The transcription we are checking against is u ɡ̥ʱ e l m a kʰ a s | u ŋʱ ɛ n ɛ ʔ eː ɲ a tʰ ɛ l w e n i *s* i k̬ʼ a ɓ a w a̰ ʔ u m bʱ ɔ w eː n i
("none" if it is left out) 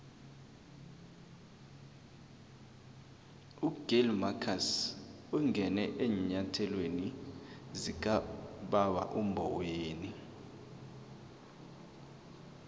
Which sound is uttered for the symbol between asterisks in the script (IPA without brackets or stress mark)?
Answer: z